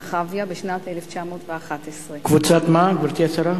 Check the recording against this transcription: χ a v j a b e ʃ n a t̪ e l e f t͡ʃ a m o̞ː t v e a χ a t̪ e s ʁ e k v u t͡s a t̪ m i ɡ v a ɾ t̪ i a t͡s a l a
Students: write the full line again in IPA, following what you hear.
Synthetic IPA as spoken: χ a v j a b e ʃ n a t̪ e l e f t͡ʃ a m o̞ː t v e a χ a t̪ e s ʁ e k v u t͡s a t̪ m a ɡ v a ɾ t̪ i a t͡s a ɾ a